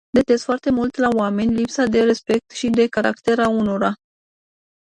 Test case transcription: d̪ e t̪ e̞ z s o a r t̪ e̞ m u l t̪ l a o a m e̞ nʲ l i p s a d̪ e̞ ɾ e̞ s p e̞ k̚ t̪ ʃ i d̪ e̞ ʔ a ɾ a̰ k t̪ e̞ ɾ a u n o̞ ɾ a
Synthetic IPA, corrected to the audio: d̪ e t̪ e̞ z f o a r t̪ e̞ m u l t̪ l a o a m e̞ nʲ l i p s a d̪ e̞ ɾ e̞ s p e̞ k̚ t̪ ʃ i d̪ e̞ k a ɾ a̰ k t̪ e̞ ɾ a u n o̞ ɾ a